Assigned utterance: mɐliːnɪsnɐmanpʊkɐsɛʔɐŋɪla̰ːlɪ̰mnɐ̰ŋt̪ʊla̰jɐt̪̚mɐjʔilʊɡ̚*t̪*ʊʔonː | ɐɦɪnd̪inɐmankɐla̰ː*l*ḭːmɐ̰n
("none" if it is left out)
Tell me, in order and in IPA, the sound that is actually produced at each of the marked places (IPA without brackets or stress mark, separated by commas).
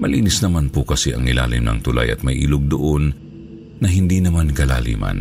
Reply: d̪, l